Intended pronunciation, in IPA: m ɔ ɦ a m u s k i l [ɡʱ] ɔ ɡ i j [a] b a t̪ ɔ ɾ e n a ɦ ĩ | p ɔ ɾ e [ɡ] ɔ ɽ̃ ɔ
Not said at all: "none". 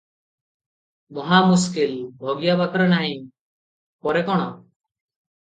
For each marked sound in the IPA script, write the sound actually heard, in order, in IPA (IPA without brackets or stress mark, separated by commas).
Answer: bʱ, a, k